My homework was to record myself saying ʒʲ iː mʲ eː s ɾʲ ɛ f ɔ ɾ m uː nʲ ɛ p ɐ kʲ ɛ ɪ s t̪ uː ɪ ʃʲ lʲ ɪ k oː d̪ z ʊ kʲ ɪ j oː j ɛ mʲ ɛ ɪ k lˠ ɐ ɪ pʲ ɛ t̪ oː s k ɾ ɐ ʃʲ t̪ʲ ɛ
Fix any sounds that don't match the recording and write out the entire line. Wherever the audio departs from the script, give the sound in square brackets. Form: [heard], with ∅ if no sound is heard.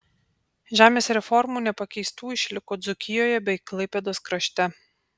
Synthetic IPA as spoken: ʒʲ [æː] mʲ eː s ɾʲ ɛ f ɔ ɾ m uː nʲ ɛ p ɐ kʲ ɛ ɪ s t̪ uː ɪ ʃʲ lʲ ɪ k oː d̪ z ʊ kʲ ɪ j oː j ɛ [bʲ] ɛ ɪ k lˠ ɐ ɪ pʲ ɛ [d̪] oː s k ɾ ɐ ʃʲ t̪ʲ ɛ